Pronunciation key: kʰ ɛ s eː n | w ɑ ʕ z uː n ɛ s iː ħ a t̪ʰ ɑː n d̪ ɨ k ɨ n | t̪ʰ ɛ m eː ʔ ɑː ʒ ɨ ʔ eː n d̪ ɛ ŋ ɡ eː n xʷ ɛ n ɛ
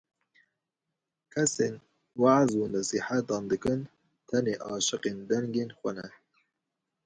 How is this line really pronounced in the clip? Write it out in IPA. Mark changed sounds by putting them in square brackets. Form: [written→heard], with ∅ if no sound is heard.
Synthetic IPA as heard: kʰ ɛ s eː n | w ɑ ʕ z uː n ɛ s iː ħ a [t̪ʰ→t̪] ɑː n d̪ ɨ k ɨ n | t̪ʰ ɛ [m→n] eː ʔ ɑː [ʒ→ʃ] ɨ [ʔ→q] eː n d̪ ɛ ŋ ɡ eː n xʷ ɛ n ɛ